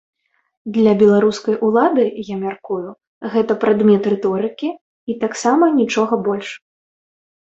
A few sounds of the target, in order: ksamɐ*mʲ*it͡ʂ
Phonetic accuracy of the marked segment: incorrect: nʲ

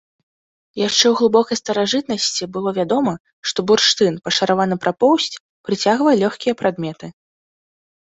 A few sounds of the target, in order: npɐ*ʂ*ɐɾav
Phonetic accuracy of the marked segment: correct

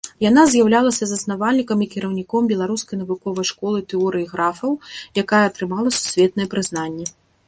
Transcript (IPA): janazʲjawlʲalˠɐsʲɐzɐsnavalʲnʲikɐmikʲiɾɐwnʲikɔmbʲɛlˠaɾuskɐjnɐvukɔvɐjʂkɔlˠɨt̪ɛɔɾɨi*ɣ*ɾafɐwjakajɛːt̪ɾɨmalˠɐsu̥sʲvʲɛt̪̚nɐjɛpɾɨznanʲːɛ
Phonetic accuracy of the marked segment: correct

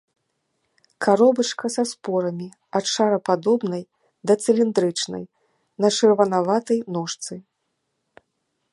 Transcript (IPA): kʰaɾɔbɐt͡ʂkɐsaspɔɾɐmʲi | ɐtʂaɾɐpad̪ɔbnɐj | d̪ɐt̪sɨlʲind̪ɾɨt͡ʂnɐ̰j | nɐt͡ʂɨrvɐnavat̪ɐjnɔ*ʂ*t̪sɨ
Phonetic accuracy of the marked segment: correct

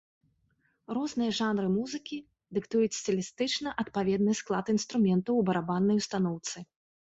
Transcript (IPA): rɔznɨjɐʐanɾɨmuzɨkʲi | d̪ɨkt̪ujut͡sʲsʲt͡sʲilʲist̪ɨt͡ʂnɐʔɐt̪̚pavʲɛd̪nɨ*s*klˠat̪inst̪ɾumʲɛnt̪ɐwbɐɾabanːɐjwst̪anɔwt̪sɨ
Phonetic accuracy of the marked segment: correct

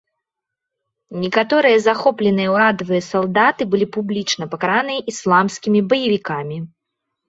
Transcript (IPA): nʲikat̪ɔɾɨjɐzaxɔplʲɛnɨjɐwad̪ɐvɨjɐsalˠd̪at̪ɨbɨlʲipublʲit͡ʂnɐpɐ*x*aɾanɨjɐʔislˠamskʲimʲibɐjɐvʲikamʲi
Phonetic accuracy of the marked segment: incorrect: k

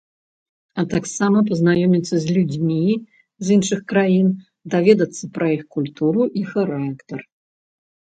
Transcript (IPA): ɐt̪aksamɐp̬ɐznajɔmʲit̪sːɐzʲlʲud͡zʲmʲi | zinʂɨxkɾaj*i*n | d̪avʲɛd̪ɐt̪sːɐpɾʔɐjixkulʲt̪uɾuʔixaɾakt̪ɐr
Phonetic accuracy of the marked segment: correct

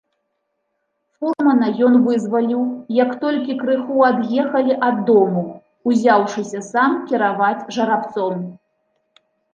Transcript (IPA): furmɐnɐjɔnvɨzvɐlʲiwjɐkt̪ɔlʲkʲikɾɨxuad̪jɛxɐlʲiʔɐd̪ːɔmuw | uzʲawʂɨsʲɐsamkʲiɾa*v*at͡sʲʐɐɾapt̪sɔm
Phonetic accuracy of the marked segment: correct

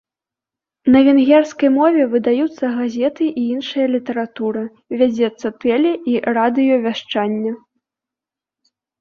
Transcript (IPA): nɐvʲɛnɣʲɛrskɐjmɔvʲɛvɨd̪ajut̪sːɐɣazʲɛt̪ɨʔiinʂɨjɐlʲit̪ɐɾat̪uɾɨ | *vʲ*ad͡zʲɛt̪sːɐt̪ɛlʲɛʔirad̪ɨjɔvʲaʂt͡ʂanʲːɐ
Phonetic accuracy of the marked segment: correct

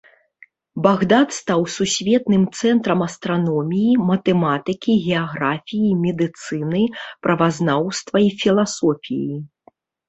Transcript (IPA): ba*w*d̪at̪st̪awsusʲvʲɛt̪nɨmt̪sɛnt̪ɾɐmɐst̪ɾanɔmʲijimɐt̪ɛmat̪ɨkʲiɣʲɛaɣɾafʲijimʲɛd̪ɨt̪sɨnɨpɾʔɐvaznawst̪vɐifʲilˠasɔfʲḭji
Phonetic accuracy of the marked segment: incorrect: ɣ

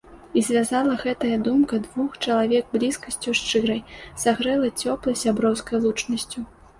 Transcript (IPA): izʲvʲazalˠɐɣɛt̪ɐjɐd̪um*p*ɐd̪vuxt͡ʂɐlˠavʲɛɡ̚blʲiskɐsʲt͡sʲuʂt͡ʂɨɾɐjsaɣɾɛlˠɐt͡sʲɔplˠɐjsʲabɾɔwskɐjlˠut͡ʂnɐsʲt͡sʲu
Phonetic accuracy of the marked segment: incorrect: k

